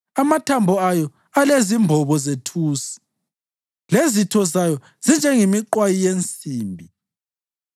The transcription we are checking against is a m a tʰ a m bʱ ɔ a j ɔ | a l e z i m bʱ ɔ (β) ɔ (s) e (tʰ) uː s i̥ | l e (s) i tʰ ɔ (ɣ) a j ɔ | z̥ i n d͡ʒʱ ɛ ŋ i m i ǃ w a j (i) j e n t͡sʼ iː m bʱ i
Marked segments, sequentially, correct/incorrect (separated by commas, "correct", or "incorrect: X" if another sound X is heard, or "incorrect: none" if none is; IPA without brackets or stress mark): correct, incorrect: z, correct, incorrect: z, incorrect: z, correct